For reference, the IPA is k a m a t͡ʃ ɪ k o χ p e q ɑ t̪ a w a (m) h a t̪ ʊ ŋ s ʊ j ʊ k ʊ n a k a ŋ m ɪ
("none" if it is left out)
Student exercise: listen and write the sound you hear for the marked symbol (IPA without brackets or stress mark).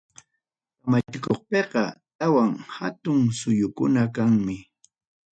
ŋ